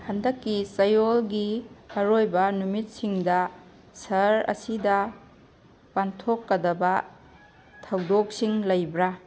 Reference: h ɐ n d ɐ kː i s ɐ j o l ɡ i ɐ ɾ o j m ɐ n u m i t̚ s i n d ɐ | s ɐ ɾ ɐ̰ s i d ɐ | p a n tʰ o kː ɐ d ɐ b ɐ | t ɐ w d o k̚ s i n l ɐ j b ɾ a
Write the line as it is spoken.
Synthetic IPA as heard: h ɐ n d ɐ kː i s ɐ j o l ɡ i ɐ ɾ o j b ɐ n u m i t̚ s i ŋ d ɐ | s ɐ ɾ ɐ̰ s i d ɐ | p a n tʰ o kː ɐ d ɐ b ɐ | tʰ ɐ w d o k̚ s i ŋ l ɐ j b ɾ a